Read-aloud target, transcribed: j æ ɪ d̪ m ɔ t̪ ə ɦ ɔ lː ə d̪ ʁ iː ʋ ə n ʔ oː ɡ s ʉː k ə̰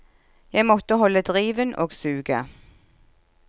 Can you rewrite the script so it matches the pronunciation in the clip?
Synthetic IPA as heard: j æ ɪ m ɔ t̪ ə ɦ ɔ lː ə d̪ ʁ iː ʋ ə n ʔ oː ɡ s ʉː ɡ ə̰